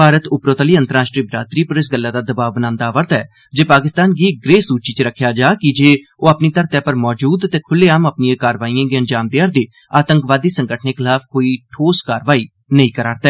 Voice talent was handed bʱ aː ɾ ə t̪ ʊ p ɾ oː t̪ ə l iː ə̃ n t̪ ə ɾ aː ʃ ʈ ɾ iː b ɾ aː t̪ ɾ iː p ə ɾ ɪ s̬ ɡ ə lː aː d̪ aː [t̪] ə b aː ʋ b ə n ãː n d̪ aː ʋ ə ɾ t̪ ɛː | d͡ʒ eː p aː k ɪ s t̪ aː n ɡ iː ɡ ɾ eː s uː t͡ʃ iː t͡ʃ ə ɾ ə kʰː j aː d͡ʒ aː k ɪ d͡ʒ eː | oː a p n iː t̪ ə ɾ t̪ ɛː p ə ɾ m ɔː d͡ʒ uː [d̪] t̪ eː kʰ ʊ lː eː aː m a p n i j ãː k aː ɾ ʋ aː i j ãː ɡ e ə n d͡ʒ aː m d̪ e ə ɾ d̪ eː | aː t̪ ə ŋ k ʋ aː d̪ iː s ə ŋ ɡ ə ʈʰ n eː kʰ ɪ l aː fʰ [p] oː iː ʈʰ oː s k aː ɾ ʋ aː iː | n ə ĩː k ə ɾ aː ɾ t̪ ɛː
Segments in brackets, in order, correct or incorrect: incorrect: d̪, correct, incorrect: k

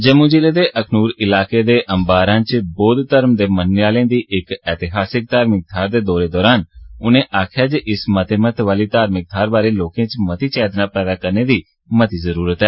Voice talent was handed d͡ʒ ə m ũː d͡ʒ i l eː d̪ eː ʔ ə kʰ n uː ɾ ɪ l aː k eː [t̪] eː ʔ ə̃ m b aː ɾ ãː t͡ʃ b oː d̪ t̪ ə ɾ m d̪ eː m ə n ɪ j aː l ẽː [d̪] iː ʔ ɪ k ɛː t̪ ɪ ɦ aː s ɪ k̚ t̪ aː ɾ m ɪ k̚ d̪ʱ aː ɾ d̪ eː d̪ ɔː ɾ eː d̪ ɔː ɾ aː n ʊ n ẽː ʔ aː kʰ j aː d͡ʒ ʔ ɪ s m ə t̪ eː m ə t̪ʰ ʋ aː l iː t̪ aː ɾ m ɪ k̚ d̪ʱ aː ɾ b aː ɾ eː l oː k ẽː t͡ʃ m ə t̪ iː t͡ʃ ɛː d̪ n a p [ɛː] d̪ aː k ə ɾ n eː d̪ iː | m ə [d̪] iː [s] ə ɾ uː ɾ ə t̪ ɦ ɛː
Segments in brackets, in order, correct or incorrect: incorrect: d̪, correct, correct, incorrect: t̪, incorrect: z

